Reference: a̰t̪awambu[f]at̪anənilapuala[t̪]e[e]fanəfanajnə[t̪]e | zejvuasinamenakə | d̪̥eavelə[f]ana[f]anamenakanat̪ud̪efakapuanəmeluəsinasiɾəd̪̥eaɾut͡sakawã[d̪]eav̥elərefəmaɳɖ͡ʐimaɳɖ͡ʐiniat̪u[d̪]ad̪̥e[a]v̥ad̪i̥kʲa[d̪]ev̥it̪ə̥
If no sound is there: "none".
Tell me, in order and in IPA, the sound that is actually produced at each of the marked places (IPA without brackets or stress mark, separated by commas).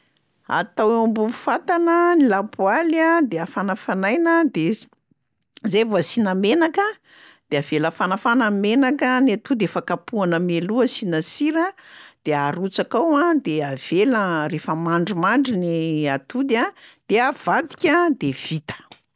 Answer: f, d̪, a, d̪, f, f, d̪, d̪, a, d̪